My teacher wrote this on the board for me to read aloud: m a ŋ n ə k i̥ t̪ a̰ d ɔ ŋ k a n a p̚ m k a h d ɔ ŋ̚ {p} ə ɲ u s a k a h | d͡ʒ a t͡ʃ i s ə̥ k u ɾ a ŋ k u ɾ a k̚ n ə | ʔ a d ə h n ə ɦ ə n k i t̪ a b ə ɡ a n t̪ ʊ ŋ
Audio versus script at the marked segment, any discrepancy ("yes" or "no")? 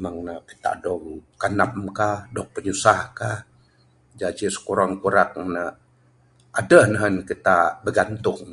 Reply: no